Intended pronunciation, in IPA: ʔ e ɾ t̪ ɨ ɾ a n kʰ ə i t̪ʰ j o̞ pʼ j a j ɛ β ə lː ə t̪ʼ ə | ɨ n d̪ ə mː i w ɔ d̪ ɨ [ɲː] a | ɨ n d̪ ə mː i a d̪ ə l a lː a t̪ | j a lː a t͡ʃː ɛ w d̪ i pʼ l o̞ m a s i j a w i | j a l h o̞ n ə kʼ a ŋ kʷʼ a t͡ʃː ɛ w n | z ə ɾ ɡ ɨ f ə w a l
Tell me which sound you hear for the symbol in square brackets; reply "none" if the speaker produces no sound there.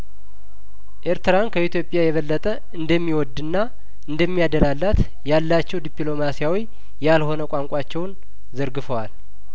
nː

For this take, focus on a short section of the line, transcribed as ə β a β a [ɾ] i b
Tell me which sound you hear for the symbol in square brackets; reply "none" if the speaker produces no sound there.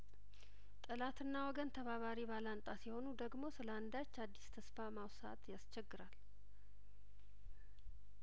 ɾ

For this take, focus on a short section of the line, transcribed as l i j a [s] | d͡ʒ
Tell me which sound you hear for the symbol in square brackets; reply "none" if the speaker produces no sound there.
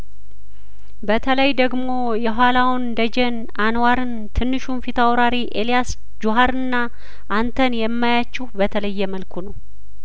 s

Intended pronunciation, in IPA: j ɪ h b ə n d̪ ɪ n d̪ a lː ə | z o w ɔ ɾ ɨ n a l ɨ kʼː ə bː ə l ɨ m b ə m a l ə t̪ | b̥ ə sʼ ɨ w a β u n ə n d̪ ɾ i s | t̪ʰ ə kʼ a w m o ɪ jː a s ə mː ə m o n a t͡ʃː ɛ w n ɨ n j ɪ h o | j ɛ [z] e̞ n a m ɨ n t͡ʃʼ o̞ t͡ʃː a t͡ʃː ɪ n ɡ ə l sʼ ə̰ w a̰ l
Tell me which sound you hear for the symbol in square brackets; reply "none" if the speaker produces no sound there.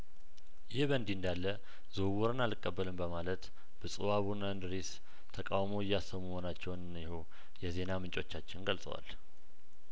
z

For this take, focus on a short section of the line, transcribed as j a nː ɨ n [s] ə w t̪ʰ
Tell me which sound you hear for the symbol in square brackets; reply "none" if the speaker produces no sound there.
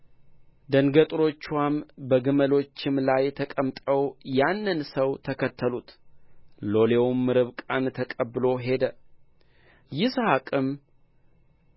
s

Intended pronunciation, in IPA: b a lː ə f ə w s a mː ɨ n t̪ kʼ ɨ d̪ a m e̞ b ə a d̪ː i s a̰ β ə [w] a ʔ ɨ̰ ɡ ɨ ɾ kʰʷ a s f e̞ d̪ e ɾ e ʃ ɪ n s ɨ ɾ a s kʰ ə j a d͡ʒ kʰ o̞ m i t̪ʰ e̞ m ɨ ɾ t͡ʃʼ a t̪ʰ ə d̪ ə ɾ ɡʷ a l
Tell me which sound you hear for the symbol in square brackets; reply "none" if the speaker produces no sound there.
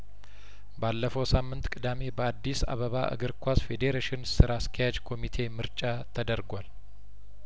β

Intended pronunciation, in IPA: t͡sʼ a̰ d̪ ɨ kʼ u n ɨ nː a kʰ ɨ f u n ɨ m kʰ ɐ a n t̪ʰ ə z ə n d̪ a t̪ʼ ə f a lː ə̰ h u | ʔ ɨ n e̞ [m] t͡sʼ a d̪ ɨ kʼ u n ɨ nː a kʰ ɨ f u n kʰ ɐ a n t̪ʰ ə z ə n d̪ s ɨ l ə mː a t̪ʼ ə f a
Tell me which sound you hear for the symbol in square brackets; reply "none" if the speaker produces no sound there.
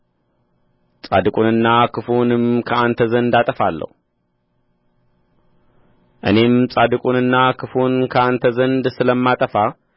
m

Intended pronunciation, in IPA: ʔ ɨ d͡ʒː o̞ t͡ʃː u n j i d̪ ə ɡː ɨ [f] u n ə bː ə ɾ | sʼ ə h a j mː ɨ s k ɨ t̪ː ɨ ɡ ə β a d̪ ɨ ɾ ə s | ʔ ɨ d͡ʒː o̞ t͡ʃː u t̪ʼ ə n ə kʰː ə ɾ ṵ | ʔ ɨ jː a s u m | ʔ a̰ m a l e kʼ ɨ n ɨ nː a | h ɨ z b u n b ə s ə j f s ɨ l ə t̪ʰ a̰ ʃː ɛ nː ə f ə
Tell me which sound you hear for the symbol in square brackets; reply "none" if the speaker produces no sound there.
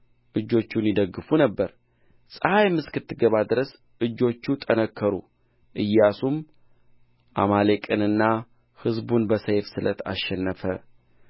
f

